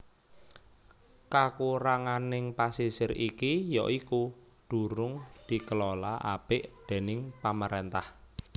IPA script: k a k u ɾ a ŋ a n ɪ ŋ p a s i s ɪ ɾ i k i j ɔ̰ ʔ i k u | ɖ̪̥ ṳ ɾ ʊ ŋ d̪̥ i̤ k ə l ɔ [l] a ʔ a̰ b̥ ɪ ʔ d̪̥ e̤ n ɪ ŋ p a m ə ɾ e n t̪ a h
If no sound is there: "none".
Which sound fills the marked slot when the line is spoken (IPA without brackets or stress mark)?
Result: l